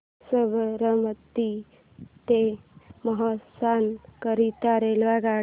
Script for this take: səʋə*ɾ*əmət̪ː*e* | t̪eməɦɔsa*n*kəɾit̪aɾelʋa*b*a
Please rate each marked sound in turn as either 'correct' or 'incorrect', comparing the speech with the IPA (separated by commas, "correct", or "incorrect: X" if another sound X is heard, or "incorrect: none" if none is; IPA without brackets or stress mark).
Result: correct, incorrect: i, correct, incorrect: ɡ